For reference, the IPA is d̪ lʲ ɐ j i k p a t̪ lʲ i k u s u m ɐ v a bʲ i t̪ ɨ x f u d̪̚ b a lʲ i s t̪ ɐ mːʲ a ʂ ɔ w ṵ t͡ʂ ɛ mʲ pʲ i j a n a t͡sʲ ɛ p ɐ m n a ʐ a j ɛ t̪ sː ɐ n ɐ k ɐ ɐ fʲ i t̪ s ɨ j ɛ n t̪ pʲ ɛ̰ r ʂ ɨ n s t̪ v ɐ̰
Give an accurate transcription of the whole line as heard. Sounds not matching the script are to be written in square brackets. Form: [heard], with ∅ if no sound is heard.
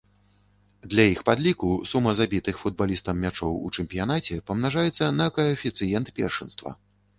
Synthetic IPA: d̪ lʲ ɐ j i [x] p a [d̪] lʲ i k u s u m ɐ [z] a bʲ i t̪ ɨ x f u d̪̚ b a lʲ i s t̪ ɐ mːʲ a [t͡ʂ] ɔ w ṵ t͡ʂ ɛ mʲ pʲ i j a n a t͡sʲ ɛ p ɐ m n a ʐ a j ɛ t̪ sː ɐ n ɐ k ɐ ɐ fʲ i t̪ s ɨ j ɛ n t̪ pʲ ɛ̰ r ʂ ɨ n s t̪ v ɐ̰